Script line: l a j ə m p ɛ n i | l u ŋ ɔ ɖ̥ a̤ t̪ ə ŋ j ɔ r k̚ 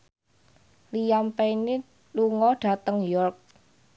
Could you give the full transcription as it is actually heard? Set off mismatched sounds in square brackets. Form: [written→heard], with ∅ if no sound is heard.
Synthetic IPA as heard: l [a→i] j [ə→a] m p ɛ n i | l u ŋ ɔ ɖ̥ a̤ t̪ ə ŋ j ɔ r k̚